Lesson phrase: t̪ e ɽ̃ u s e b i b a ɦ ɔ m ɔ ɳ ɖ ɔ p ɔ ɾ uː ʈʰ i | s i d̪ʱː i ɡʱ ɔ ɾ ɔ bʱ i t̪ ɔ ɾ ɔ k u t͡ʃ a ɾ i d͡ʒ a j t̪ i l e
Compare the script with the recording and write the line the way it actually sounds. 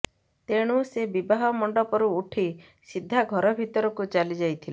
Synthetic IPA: t̪ e ɽ̃ u s e b i b a ɦ ɔ m ɔ ɳ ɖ ɔ p ɔ ɾ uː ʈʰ i | s i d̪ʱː a ɡʱ ɔ ɾ ɔ bʱ i t̪ ɔ ɾ ɔ k u t͡ʃ a l i d͡ʒ a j t̪ʰ i l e